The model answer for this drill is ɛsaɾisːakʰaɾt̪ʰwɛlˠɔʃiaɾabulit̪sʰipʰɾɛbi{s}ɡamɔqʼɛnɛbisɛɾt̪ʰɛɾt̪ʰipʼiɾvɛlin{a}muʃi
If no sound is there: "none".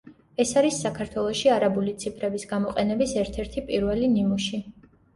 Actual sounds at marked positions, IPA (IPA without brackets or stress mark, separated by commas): s, i